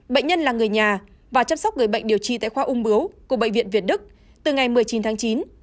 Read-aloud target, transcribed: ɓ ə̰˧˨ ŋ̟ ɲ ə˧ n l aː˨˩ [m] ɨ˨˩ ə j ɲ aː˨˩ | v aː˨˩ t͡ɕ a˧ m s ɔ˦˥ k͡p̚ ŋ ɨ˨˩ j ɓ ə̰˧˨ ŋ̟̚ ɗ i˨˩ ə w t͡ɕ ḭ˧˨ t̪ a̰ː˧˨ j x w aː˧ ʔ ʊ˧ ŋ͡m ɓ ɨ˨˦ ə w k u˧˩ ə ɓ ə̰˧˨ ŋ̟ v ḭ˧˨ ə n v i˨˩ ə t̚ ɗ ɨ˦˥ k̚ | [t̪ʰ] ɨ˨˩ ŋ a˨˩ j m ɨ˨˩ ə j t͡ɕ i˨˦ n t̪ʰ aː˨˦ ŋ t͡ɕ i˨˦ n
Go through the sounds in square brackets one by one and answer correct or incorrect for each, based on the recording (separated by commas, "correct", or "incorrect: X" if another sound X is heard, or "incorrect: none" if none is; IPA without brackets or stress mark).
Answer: incorrect: ŋ, incorrect: t̪